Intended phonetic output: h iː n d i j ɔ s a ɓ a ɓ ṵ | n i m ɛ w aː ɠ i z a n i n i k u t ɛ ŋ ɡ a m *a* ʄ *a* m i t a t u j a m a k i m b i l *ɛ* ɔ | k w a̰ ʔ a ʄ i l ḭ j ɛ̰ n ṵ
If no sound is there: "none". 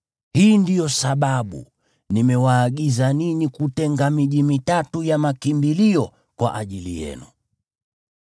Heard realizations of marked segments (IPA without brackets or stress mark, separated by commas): i, i, i